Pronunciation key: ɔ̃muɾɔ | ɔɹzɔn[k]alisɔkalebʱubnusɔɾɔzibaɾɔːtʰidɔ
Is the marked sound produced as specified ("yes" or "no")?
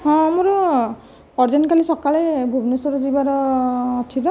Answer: yes